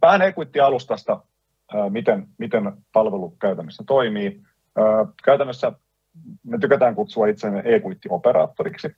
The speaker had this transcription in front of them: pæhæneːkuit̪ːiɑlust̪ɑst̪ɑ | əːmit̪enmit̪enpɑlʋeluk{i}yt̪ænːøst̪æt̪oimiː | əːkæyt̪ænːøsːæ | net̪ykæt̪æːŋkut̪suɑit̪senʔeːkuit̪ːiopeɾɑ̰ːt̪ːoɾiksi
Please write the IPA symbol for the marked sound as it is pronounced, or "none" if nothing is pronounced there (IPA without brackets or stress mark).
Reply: æ